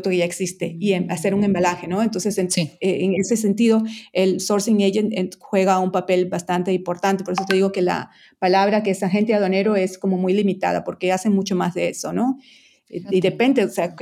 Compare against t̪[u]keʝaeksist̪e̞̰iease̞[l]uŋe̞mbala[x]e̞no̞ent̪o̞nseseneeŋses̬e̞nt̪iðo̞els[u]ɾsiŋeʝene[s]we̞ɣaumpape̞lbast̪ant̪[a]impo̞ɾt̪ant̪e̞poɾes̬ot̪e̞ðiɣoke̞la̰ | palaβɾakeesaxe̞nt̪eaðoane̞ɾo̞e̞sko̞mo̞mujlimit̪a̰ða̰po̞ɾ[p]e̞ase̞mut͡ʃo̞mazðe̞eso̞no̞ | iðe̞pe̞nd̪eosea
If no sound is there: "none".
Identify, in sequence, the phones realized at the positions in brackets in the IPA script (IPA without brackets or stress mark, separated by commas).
o, ɾ, x, o, x, e, k